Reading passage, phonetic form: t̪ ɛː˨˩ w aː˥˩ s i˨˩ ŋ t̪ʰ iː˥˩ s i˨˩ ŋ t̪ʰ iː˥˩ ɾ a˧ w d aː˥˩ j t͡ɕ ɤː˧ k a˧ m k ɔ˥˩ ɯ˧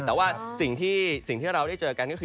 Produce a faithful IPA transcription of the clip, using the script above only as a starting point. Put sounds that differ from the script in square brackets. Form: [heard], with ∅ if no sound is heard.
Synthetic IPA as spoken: t̪ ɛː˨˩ w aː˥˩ s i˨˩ ŋ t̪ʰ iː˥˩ s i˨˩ ŋ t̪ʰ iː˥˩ ɾ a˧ w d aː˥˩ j t͡ɕ ɤː˧ k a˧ [n] k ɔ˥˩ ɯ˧